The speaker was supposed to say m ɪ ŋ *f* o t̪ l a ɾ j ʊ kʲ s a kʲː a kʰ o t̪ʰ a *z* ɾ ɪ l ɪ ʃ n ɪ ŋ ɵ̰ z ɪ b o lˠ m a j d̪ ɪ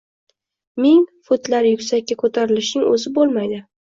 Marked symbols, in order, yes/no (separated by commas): yes, no